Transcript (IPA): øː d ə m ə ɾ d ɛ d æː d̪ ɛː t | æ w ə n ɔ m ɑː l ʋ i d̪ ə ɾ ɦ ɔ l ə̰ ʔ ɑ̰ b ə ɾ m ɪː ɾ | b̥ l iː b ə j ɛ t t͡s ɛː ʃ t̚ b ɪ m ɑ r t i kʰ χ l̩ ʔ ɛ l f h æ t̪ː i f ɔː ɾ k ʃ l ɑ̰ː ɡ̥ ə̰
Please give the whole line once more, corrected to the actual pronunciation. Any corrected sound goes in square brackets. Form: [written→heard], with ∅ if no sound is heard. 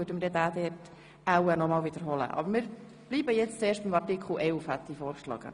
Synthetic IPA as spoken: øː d ə m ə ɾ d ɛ d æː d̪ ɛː t | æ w ə n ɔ m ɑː l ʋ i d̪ ə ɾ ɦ ɔ l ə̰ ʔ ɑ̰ b ə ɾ m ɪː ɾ | b̥ l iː b ə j ɛ [t→t͡s] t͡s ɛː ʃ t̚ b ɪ m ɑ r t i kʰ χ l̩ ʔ ɛ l f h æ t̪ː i f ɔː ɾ k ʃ l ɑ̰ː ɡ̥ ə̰